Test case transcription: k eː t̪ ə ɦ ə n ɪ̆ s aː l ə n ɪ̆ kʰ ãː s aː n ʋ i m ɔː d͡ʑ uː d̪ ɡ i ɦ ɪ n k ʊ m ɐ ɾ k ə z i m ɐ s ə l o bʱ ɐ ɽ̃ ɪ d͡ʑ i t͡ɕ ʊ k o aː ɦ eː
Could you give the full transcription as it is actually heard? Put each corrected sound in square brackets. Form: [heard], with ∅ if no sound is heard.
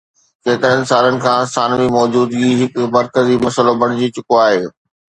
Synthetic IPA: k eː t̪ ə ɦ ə n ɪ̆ s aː l ə n ɪ̆ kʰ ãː s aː n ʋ i m ɔː d͡ʑ uː d̪ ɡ i ɦ ɪ [∅] k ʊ m ɐ ɾ k ə z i m ɐ s ə l o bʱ ɐ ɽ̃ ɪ d͡ʑ i t͡ɕ ʊ k o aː ɦ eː